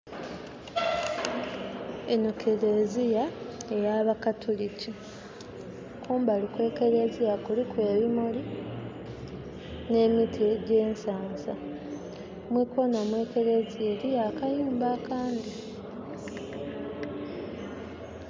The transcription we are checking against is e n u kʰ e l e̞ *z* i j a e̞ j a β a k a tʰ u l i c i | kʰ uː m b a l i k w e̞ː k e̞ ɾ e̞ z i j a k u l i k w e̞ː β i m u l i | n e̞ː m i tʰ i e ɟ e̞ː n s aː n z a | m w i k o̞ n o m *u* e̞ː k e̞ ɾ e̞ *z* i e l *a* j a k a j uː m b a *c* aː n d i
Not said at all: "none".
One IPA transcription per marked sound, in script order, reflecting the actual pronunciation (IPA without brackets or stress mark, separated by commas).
z, w, z, i, k